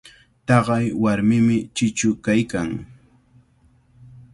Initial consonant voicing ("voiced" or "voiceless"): voiceless